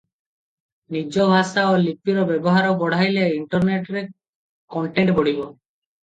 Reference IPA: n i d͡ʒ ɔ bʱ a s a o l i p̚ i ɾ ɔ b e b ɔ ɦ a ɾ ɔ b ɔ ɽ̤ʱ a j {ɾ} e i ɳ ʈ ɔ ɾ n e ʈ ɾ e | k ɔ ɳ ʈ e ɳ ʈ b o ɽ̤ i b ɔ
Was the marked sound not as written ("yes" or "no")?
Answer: yes